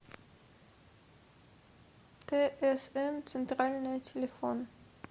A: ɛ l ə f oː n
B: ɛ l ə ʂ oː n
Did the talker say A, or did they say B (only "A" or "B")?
A